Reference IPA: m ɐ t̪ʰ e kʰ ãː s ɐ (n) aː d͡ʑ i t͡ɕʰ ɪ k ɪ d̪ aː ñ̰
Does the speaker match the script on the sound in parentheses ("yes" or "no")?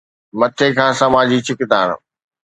no